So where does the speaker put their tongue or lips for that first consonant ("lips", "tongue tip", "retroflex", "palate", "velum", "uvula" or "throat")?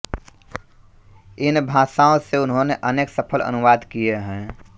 tongue tip